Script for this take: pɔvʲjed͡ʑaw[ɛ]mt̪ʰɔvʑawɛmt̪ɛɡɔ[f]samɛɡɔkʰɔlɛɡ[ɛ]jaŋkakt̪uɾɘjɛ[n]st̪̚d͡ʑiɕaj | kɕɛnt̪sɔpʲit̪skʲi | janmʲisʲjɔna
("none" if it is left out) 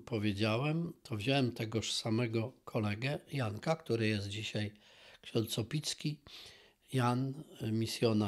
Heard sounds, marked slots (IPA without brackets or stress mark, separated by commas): ɛ, ʂ, ɛ, none